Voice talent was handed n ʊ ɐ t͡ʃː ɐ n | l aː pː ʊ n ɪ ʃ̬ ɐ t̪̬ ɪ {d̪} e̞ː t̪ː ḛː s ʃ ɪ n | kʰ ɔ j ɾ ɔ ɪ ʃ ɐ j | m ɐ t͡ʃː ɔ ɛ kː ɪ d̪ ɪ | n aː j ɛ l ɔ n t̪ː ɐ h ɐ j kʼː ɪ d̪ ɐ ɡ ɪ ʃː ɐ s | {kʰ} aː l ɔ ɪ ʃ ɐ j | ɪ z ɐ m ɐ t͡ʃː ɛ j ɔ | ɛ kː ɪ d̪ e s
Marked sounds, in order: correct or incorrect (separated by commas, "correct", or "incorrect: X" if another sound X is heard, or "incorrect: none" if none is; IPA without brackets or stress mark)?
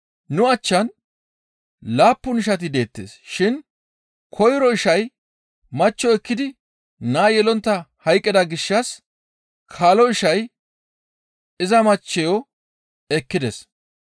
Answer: correct, correct